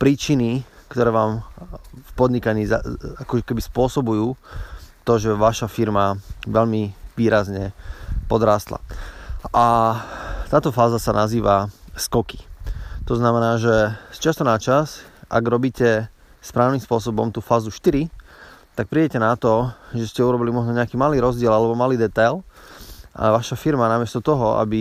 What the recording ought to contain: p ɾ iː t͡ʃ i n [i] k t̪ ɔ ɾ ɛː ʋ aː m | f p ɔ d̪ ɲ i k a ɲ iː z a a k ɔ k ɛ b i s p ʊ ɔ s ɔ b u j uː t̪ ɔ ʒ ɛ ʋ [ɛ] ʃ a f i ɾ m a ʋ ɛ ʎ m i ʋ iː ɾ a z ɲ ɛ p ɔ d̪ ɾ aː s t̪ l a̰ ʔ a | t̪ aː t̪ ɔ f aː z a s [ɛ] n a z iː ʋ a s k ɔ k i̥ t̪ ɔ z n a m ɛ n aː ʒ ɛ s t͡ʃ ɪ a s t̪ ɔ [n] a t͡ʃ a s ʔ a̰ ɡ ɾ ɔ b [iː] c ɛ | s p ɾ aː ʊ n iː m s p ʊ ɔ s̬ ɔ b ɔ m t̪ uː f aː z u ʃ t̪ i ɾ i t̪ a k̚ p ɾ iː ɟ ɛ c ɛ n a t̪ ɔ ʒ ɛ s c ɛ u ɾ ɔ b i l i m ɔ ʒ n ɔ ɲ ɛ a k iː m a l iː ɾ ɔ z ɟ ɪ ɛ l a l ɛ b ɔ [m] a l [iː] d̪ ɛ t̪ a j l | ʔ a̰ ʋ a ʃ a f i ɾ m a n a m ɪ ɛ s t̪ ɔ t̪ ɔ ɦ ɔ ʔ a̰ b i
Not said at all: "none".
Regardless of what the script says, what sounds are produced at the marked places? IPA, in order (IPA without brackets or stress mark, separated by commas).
i, a, a, n, iː, m, iː